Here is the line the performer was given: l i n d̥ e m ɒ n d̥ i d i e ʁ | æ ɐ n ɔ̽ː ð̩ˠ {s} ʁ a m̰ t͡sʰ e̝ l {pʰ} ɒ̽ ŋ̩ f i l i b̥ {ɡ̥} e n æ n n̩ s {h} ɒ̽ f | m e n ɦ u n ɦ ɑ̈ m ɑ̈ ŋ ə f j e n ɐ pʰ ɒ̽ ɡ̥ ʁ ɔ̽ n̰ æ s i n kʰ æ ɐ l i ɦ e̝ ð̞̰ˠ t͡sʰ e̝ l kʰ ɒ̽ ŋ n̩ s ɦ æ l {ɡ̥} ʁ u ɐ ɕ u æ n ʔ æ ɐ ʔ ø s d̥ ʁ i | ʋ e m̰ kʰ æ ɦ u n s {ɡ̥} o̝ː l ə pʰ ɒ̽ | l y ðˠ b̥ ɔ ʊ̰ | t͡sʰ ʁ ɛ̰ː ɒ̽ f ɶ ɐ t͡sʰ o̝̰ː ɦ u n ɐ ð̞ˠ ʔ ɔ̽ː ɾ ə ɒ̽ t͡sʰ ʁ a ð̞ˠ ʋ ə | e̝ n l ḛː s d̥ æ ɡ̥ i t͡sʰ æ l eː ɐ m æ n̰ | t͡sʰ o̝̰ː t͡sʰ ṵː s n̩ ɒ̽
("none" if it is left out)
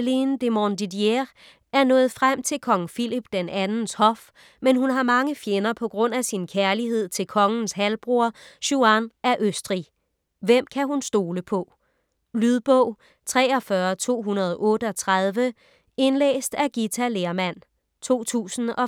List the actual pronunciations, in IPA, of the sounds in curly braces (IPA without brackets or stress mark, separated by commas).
f, kʰ, d̥, h, b̥, d̥